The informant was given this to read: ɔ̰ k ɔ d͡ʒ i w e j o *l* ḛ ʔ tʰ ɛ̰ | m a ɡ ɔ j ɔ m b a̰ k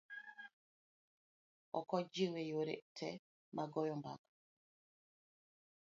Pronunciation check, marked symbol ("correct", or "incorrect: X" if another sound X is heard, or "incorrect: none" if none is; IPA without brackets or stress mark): incorrect: ɾ